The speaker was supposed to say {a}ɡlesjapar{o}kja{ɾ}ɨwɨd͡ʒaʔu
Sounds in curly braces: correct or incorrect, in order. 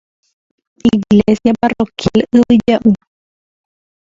incorrect: i, correct, incorrect: l

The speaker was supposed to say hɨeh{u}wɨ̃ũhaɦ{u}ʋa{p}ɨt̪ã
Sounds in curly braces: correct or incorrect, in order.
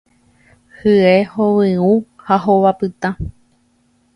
incorrect: o, incorrect: o, correct

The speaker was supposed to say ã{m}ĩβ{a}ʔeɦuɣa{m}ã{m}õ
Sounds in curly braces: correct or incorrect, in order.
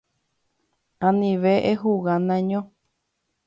incorrect: n, incorrect: e, incorrect: n, incorrect: ɲ

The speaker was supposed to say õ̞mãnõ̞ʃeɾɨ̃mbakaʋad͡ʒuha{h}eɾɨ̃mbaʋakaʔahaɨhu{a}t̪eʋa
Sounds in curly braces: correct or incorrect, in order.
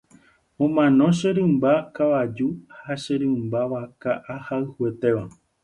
incorrect: ʃ, incorrect: e

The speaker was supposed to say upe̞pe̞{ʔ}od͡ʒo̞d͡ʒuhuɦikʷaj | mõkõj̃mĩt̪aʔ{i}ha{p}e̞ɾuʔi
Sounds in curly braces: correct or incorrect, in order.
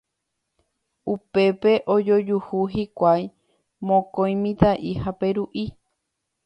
correct, correct, correct

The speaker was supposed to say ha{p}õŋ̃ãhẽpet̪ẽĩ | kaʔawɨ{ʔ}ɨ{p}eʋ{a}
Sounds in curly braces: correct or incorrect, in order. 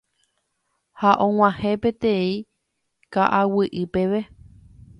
incorrect: ʔ, correct, correct, incorrect: e

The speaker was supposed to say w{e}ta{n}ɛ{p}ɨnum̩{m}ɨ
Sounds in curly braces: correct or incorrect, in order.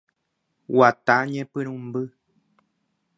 incorrect: a, incorrect: ɲ, correct, incorrect: b

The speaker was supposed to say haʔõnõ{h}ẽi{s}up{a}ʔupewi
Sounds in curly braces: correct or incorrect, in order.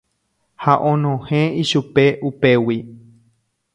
correct, incorrect: ʃ, incorrect: e

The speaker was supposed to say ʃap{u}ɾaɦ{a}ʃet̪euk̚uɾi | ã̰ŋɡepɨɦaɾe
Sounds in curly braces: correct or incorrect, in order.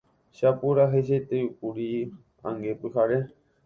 correct, incorrect: e

